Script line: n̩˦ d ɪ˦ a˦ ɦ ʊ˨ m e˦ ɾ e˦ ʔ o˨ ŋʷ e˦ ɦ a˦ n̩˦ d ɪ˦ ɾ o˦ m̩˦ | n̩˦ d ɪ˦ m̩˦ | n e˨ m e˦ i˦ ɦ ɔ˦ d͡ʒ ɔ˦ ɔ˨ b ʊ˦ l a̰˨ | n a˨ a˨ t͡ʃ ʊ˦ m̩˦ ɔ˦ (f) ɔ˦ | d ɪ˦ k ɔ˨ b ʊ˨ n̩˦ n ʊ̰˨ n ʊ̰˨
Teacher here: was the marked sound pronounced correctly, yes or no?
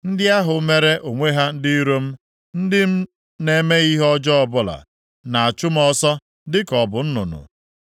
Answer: no